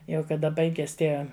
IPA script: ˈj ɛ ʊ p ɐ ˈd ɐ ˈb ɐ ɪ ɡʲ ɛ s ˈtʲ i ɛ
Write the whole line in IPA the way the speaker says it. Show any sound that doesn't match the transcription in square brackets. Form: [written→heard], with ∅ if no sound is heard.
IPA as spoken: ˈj ɛ ʊ [p→k] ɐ ˈd ɐ ˈb ɐ ɪ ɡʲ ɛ s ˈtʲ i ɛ